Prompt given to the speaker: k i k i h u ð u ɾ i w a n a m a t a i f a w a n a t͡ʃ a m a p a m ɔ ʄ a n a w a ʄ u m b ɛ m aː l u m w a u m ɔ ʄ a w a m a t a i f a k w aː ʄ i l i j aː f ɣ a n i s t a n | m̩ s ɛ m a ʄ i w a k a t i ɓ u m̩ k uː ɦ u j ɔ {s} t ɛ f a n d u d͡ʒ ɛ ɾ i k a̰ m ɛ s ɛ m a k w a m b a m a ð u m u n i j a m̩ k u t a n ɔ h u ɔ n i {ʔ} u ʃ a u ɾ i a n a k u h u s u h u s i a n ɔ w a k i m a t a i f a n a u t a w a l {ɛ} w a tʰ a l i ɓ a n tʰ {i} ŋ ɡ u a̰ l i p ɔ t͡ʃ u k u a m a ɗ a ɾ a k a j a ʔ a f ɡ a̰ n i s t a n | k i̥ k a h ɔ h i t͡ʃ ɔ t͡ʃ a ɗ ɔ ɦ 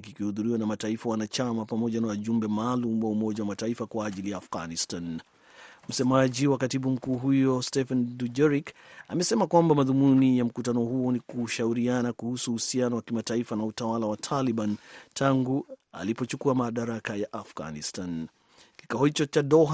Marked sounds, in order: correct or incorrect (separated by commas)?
correct, incorrect, incorrect, incorrect